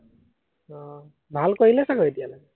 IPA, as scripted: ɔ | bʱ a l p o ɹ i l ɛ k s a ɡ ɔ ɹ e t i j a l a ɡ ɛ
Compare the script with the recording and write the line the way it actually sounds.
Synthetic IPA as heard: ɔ | bʱ a l k o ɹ i l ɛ s a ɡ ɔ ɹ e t i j a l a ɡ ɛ